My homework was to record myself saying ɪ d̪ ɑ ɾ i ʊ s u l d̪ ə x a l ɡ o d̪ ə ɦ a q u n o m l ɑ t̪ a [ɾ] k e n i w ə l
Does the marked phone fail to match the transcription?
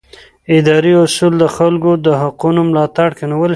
yes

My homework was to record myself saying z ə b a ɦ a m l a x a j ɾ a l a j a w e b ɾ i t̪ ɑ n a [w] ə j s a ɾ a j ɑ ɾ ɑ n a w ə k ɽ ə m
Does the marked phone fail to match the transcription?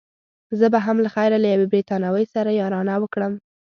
no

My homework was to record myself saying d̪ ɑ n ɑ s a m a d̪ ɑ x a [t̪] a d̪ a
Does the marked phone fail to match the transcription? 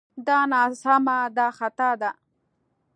no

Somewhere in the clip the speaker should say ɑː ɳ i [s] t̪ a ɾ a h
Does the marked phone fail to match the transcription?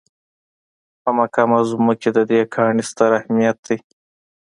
no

